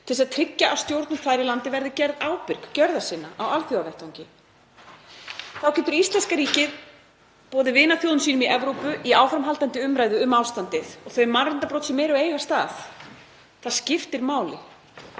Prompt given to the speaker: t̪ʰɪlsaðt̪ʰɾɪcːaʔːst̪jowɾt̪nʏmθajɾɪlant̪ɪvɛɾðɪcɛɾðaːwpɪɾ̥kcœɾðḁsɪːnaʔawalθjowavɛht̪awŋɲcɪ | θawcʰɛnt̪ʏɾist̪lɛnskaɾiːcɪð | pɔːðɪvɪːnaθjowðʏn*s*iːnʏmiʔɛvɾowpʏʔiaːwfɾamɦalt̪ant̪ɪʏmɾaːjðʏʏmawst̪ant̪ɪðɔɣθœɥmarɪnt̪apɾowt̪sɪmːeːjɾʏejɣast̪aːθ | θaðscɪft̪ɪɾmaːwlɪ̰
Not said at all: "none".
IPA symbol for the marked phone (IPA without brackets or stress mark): s